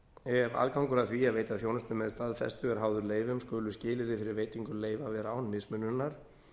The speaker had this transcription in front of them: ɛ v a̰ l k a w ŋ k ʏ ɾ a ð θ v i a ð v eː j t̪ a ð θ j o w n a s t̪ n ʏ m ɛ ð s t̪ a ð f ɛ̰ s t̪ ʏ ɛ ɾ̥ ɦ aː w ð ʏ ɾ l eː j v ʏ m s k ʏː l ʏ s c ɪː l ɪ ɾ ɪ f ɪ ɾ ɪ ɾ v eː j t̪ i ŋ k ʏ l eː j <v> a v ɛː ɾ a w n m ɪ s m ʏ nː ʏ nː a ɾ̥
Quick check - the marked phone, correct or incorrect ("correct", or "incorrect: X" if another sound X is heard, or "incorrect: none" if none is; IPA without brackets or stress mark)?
correct